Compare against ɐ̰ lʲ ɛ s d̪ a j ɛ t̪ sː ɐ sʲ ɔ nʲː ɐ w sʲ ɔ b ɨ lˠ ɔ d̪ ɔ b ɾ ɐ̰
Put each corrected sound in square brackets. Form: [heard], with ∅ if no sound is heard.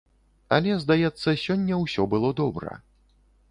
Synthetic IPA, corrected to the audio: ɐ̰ lʲ ɛ [z] d̪ a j ɛ t̪ sː ɐ sʲ ɔ nʲː ɐ w sʲ ɔ b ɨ lˠ ɔ d̪ ɔ b ɾ ɐ̰